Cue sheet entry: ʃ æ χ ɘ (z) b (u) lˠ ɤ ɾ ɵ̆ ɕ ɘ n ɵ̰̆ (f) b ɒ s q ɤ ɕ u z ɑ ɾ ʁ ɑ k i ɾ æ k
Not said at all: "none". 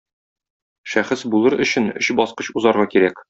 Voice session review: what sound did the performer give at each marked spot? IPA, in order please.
s, u, ɕ

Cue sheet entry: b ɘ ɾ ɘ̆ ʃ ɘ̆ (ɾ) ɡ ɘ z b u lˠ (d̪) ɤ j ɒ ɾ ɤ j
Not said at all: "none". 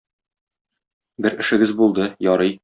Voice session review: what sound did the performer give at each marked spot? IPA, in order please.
none, d̪

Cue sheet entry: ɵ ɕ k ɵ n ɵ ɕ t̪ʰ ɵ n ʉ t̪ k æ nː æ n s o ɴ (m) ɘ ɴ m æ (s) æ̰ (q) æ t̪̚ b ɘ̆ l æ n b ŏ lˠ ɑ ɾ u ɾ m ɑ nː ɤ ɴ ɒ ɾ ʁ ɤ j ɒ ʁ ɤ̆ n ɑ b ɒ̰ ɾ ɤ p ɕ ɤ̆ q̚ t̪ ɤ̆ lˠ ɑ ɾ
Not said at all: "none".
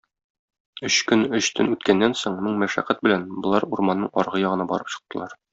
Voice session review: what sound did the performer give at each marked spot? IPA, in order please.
m, ʃ, q

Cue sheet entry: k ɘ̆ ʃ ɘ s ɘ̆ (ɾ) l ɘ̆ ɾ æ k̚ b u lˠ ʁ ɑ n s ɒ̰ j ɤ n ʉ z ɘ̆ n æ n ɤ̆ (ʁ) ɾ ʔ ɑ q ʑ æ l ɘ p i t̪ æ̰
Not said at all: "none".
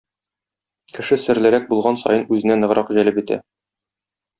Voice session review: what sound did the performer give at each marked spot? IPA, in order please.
ɾ, ʁ

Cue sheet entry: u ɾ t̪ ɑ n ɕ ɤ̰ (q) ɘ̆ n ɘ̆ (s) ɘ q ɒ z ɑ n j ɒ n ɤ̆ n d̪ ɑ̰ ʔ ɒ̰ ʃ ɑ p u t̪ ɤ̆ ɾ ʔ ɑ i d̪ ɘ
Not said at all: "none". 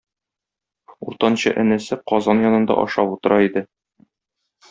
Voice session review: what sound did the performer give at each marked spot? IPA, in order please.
ʔ, s

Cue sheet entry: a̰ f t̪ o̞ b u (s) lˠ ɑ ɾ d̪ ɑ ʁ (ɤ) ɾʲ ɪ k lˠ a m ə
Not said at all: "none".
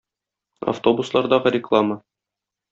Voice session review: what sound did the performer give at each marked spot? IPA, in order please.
s, ɤ

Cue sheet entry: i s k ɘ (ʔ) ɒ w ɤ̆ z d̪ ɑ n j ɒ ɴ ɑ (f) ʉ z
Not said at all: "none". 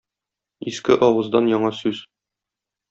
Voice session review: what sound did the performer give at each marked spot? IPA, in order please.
ʔ, s

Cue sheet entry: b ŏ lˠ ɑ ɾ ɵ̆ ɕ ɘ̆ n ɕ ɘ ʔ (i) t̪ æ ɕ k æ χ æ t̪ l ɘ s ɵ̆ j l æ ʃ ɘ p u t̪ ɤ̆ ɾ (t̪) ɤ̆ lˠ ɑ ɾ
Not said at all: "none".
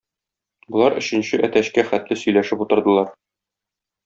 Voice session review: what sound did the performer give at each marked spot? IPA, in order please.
æ, d̪

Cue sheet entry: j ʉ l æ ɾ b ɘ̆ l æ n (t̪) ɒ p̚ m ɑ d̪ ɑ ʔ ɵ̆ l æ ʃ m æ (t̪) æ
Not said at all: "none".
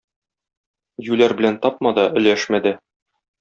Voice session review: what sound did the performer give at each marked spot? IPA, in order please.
t̪, d̪

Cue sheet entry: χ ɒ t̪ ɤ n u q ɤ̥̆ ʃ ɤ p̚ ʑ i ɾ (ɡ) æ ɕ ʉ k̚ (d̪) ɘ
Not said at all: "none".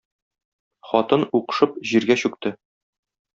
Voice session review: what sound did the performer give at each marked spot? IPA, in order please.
ɡ, t̪

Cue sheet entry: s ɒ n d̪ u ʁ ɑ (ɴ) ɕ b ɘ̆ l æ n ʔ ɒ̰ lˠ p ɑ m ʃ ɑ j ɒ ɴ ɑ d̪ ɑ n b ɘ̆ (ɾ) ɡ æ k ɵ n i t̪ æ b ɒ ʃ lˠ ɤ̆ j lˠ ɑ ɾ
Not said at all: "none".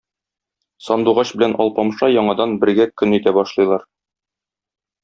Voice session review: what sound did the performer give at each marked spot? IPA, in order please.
none, ɾ

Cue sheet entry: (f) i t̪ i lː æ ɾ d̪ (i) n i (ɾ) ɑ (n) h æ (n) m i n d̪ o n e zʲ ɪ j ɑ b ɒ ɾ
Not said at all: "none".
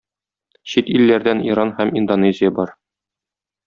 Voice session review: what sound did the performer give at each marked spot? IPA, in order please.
ɕ, æ, ɾ, n, none

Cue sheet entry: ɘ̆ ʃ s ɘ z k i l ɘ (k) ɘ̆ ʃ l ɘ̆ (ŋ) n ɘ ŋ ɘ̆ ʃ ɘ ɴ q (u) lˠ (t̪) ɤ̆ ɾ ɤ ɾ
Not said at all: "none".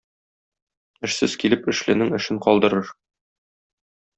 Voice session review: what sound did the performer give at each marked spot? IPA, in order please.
p, none, ɒ, d̪

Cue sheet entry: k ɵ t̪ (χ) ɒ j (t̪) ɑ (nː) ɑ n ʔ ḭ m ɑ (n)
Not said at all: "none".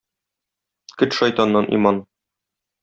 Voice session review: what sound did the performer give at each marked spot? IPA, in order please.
ʃ, t̪, nː, n

